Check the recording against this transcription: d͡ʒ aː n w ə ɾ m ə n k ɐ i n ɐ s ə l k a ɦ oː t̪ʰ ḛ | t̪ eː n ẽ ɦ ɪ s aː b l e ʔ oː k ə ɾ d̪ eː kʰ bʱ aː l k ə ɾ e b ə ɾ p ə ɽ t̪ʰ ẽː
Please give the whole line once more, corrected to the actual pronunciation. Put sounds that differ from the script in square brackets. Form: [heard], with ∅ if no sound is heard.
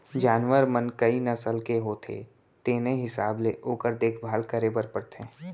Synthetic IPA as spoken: d͡ʒ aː n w ə ɾ m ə n k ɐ i n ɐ s ə l k [e] ɦ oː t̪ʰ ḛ | t̪ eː n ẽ ɦ ɪ s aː b l e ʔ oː k ə ɾ d̪ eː kʰ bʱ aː l k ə ɾ e b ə ɾ p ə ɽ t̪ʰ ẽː